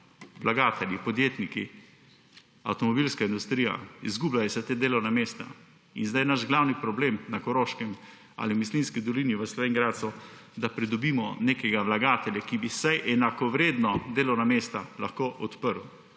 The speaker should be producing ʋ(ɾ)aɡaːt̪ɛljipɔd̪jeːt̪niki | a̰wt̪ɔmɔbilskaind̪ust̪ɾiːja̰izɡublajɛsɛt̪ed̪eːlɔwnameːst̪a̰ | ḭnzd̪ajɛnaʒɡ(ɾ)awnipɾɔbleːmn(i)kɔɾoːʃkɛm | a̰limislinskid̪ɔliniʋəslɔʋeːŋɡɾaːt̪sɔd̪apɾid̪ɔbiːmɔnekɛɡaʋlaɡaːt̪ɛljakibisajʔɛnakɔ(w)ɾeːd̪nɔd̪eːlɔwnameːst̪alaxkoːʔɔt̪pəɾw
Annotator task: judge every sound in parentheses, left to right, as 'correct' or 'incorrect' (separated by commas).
incorrect, incorrect, incorrect, incorrect